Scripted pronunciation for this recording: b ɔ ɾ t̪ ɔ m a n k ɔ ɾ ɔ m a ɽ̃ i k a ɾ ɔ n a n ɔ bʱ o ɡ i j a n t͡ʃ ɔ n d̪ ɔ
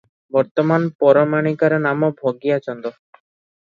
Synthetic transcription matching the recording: b ɔ ɾ t̪ ɔ m a n p ɔ ɾ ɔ m a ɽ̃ i k a ɾ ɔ n a m ɔ bʱ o ɡ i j a t͡ʃ ɔ n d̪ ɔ